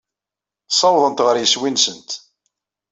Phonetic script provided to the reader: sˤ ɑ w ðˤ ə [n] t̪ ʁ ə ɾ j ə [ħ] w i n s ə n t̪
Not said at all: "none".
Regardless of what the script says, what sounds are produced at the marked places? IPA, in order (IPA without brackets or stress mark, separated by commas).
n, s